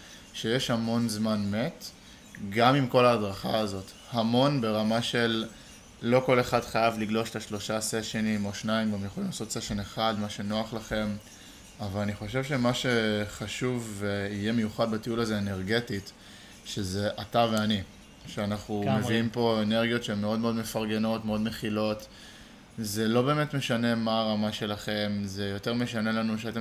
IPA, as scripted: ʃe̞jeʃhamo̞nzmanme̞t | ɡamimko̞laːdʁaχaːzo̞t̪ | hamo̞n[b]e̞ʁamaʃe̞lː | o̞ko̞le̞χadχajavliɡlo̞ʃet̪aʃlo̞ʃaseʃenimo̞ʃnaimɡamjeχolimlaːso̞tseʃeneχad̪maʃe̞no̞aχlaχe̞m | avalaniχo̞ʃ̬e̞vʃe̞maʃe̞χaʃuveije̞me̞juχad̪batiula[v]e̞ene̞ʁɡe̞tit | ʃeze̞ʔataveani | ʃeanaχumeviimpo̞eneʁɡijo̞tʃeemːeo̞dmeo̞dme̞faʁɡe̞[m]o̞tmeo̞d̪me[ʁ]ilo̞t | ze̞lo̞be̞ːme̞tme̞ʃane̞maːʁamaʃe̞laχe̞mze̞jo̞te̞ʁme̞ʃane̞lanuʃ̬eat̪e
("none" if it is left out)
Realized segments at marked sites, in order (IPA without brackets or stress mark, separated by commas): b, z, n, χ